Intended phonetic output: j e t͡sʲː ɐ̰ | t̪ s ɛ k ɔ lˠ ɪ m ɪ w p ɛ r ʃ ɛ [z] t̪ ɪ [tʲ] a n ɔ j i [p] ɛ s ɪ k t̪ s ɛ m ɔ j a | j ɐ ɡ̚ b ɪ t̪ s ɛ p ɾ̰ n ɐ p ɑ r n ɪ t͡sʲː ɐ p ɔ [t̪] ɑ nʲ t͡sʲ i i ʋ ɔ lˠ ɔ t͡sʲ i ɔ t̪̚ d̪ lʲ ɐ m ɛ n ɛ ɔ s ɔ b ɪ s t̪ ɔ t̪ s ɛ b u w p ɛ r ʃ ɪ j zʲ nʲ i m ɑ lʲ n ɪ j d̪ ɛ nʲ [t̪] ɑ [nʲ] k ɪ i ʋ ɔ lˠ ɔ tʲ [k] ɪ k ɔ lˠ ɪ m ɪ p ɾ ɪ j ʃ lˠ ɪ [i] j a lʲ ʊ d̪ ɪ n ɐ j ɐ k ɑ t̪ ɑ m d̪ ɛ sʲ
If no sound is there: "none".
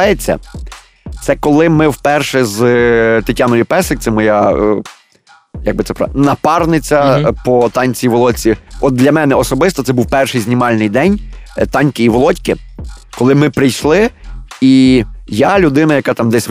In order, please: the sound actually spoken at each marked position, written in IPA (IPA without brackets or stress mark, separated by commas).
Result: z, tʲ, p, t̪, t̪, nʲ, k, i